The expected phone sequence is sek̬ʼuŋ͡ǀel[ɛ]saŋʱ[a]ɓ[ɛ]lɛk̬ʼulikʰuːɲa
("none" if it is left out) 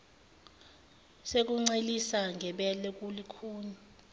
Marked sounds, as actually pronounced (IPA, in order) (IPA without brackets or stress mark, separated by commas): i, ɛ, ɛ